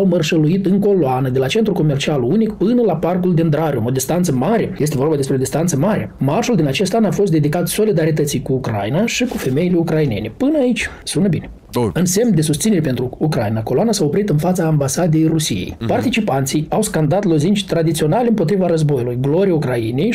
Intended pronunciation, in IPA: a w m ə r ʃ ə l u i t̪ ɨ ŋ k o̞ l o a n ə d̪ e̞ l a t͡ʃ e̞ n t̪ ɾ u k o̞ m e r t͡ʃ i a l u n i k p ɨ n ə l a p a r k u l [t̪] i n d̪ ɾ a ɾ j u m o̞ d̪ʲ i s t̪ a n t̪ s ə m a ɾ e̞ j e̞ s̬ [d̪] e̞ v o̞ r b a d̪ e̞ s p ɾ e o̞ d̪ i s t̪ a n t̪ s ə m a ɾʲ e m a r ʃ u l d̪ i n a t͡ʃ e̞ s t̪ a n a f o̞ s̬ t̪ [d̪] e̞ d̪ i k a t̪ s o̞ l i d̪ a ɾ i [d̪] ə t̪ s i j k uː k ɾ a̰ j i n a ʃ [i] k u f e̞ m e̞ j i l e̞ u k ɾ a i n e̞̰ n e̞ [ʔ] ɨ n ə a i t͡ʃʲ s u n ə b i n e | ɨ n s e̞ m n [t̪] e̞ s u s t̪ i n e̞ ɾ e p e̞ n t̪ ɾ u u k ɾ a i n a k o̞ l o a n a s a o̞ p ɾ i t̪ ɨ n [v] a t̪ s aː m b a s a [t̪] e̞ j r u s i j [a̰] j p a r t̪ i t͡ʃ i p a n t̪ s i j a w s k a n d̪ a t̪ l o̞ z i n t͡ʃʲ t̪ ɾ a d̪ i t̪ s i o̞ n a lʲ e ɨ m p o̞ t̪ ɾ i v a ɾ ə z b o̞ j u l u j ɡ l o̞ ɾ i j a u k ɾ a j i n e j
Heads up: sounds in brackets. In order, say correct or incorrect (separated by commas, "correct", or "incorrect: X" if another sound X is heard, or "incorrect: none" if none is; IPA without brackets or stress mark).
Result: incorrect: d̪, incorrect: t̪, correct, incorrect: t̪, correct, incorrect: p, incorrect: d̪, incorrect: f, incorrect: d̪, incorrect: ḛ